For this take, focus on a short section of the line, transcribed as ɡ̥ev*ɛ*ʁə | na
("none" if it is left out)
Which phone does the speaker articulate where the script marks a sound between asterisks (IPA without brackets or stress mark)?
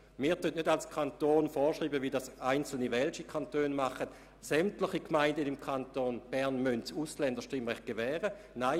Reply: ɛː